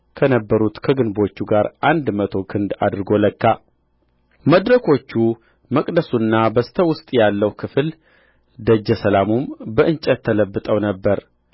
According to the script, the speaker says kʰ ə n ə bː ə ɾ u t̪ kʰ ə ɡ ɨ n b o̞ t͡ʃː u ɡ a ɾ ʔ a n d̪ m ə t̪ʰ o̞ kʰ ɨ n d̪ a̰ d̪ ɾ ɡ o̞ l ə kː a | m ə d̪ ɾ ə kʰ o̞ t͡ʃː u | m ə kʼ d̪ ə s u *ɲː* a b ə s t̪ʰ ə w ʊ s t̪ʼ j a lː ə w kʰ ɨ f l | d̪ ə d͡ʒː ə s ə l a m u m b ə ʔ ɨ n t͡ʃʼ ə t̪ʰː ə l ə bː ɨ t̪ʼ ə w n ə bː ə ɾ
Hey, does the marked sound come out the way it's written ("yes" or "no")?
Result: no